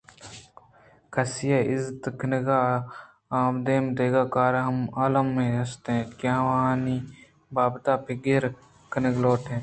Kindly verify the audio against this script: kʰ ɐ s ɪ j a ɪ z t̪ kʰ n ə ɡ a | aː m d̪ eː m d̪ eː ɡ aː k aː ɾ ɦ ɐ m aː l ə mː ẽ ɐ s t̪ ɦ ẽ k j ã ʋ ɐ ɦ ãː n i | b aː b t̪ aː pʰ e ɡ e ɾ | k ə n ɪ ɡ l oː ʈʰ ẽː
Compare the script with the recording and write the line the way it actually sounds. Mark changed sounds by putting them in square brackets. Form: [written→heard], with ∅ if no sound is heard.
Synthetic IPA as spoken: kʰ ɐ s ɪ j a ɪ z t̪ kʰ n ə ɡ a | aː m d̪ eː m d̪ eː ɡ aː k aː ɾ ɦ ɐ m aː l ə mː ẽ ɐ s t̪ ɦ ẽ k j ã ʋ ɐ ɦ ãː n i | b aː b t̪ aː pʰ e ɡ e ɾ | k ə n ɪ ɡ l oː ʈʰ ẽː

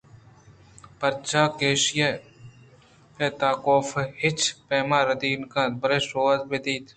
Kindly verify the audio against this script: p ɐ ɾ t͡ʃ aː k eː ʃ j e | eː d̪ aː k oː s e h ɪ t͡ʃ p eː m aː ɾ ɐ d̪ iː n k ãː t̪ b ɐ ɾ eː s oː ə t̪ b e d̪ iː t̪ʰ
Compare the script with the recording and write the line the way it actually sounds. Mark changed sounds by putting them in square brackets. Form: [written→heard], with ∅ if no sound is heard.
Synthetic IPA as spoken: p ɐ ɾ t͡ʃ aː k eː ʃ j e | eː [d̪→t̪] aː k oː [s→f] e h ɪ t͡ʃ p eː m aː ɾ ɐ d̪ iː n k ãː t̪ b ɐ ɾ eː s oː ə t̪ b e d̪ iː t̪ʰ

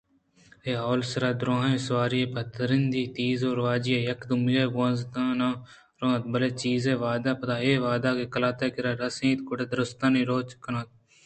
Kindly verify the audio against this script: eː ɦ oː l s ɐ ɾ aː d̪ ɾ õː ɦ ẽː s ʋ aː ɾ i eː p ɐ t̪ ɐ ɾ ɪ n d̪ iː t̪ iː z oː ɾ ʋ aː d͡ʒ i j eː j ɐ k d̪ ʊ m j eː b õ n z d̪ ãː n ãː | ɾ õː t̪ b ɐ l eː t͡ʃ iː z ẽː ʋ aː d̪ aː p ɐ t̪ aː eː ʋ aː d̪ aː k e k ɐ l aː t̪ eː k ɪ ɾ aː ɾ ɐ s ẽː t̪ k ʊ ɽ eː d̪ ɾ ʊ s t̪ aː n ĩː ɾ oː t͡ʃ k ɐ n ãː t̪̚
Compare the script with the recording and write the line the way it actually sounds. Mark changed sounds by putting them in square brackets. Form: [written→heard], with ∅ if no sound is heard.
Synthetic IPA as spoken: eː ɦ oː l s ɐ ɾ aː d̪ ɾ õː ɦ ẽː s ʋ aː ɾ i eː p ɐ t̪ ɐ ɾ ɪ n d̪ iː t̪ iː z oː ɾ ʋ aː d͡ʒ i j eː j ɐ k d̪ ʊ m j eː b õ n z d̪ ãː n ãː | ɾ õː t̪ b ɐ l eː t͡ʃ iː z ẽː ʋ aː d̪ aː p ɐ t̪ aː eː ʋ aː d̪ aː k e k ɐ l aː t̪ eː k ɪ ɾ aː ɾ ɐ s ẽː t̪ k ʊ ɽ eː d̪ ɾ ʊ s t̪ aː n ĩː ɾ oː t͡ʃ k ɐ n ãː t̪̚

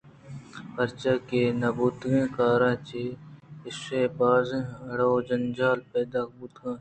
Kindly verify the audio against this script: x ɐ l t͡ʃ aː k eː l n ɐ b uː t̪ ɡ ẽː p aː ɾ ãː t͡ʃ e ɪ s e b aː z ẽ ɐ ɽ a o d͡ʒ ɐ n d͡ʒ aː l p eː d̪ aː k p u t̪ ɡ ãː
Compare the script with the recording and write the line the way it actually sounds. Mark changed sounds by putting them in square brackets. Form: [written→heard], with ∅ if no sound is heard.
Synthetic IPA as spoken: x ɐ [l→ɾ] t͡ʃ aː k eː [l→∅] n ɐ b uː t̪ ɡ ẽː [p→k] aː ɾ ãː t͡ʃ e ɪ s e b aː z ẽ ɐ ɽ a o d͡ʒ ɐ n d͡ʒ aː l p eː d̪ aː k [p→b] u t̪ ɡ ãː

